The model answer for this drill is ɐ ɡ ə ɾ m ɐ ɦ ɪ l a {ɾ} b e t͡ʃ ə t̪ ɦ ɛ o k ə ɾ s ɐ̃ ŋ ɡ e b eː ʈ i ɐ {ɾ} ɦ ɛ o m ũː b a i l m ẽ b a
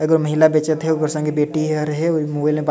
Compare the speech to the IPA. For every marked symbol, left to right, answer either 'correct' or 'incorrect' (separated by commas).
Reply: incorrect, correct